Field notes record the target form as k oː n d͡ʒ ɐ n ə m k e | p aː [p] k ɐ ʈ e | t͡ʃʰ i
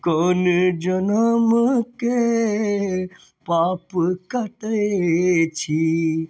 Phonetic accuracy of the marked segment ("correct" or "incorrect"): correct